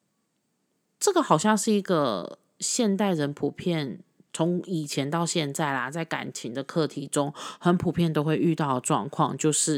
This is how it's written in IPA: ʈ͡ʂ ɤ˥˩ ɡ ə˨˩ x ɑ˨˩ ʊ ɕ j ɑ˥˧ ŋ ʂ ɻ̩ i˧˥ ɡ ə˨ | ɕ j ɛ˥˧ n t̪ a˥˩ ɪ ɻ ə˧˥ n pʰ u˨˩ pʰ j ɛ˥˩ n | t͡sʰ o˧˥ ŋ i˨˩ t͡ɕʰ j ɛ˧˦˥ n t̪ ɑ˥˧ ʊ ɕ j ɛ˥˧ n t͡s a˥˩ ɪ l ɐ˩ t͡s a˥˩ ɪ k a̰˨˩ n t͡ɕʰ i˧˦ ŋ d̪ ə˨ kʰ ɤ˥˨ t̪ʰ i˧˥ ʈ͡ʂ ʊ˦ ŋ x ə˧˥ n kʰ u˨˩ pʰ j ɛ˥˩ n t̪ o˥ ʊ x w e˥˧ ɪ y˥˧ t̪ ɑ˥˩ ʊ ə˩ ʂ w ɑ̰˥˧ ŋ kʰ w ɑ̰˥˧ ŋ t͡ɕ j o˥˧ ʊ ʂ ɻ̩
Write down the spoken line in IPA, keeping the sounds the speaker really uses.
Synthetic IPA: ʈ͡ʂ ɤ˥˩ ɡ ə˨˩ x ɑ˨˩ ʊ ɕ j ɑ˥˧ ŋ ʂ ɻ̩ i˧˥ ɡ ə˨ | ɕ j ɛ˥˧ n t̪ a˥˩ ɪ ɻ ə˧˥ n pʰ u˨˩ pʰ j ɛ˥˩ n | t͡sʰ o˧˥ ŋ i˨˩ t͡ɕʰ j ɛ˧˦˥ n t̪ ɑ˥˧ ʊ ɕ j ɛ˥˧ n t͡s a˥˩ ɪ l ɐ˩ t͡s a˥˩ ɪ k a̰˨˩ n t͡ɕʰ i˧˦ ŋ d̪ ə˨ kʰ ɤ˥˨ t̪ʰ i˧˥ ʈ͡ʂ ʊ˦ ŋ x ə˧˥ n pʰ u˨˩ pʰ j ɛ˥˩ n t̪ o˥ ʊ x w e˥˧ ɪ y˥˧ t̪ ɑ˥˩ ʊ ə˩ ʈ͡ʂ w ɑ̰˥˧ ŋ kʰ w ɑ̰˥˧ ŋ t͡ɕ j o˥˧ ʊ ʂ ɻ̩